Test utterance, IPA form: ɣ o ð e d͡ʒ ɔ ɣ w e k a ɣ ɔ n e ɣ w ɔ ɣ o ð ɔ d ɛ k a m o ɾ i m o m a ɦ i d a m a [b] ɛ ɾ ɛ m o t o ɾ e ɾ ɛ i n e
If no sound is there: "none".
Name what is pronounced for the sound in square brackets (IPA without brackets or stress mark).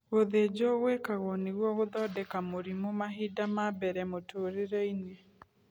b